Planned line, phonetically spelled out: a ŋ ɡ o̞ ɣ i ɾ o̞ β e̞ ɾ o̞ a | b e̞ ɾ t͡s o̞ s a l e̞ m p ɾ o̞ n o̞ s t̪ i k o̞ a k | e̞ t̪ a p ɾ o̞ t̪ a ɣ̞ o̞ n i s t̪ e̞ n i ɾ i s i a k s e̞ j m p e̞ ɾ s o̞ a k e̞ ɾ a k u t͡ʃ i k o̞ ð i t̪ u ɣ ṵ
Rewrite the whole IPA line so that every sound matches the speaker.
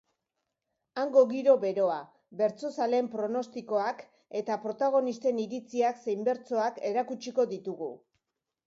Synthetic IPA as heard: a ŋ ɡ o̞ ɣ i ɾ o̞ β e̞ ɾ o̞ a | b e̞ ɾ t͡s o̞ s a l e̞ m p ɾ o̞ n o̞ s t̪ i k o̞ a k | e̞ t̪ a p ɾ o̞ t̪ a ɣ̞ o̞ n i s t̪ e̞ n i ɾ i t͡s i a k s e̞ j m b e̞ ɾ t͡s o̞ a k e̞ ɾ a k u t͡ʃ i k o̞ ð i t̪ u ɣ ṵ